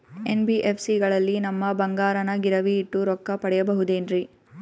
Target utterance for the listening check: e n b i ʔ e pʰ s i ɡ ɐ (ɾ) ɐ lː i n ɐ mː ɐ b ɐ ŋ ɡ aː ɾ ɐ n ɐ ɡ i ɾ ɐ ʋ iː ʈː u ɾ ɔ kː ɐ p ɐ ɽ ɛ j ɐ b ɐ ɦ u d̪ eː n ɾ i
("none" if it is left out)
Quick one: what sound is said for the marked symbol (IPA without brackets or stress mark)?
ɭ